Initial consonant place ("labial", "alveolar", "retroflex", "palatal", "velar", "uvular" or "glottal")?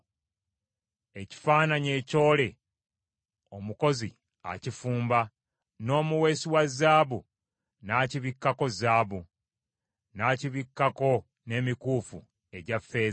palatal